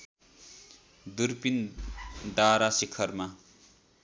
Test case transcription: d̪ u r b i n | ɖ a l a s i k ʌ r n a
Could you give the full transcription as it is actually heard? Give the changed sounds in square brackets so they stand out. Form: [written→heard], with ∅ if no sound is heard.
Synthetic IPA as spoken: d̪ u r [b→p] i n | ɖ a [l→ɾ] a s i [k→kʰ] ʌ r [n→m] a